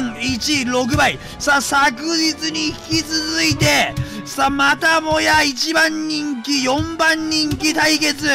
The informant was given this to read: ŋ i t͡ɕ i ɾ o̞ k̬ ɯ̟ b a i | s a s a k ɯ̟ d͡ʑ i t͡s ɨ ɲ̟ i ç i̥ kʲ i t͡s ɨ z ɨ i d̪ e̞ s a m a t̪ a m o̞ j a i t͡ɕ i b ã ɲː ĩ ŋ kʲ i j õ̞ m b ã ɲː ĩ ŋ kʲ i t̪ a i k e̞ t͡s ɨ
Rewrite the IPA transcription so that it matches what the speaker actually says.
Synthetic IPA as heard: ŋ i t͡ɕ i ɾ o̞ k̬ ɯ̟ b a i | s a s a k ɯ̟ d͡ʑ i t͡s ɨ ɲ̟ i ç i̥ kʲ i t͡s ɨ z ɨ i t̪ e̞ s a m a t̪ a m o̞ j a i t͡ɕ i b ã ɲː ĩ ŋ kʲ i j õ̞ m b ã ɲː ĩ ŋ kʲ i t̪ a i k e̞ t͡s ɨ